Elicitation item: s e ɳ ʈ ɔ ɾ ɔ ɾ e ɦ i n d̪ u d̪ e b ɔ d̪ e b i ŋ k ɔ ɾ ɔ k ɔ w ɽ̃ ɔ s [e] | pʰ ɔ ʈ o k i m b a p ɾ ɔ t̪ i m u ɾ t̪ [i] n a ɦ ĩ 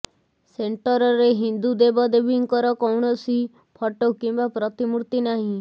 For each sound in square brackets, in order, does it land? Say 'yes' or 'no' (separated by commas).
no, yes